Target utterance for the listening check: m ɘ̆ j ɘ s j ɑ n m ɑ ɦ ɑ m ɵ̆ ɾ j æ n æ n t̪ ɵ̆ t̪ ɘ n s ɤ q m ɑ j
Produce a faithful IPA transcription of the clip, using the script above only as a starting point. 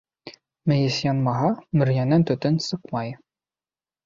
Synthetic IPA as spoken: m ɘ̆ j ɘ s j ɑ n m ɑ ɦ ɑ m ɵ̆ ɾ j æ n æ n t̪ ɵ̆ t̪ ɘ n s ɤ q m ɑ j